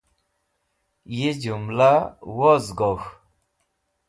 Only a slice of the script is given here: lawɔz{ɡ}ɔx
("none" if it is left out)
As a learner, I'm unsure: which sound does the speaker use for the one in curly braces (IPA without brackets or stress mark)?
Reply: ɡ